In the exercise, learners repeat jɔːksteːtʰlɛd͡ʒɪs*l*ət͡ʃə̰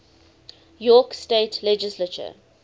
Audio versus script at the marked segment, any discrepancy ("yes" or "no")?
no